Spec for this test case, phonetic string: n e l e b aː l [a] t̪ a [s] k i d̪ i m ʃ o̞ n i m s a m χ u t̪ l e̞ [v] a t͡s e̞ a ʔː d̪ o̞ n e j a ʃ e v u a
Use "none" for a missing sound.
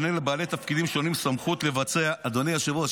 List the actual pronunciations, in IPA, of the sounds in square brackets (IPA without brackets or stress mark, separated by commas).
e, f, v